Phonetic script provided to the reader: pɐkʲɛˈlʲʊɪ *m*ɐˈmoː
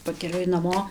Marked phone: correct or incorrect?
incorrect: n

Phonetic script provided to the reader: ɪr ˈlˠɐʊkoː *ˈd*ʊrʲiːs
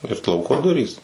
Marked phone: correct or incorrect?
correct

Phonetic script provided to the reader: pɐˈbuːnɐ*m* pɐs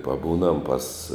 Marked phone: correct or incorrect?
correct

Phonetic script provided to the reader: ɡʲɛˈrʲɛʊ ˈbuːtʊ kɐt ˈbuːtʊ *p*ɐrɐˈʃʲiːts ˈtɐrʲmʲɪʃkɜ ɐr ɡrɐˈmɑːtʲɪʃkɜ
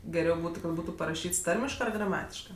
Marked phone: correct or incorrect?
correct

